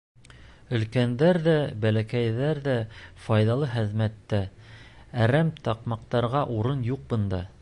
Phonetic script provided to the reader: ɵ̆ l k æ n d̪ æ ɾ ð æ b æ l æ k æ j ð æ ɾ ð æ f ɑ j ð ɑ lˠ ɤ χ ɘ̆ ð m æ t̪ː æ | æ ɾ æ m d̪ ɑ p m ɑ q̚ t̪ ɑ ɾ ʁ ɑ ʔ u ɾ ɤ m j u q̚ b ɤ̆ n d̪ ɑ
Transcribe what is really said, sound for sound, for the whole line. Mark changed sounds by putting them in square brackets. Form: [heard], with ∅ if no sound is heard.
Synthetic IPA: ɵ̆ l k æ n d̪ æ ɾ ð æ b æ l æ k æ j ð æ ɾ ð æ f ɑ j ð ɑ lˠ ɤ χ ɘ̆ ð m æ t̪ː æ | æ ɾ æ m [t̪] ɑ [q] m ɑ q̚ t̪ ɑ ɾ ʁ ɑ ʔ u ɾ ɤ [n] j u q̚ b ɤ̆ n d̪ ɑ